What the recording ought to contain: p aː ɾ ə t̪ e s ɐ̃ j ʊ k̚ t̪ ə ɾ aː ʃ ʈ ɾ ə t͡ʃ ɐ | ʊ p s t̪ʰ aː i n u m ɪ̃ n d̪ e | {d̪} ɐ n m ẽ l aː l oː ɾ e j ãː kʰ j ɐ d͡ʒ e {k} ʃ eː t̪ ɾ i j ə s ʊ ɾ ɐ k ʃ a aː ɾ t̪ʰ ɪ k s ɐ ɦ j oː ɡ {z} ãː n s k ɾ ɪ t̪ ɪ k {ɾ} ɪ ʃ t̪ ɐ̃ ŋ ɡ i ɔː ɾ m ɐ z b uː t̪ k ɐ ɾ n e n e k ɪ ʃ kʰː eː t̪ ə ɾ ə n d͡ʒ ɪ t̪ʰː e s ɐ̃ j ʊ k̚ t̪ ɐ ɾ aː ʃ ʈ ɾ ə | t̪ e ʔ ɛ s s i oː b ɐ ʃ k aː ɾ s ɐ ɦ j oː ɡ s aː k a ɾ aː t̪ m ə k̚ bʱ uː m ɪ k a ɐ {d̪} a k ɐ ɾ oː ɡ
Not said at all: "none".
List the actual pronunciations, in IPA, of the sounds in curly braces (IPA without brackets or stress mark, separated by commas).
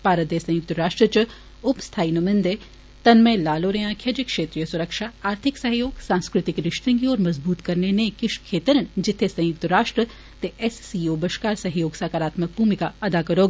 t̪, k, s, ɾ, d̪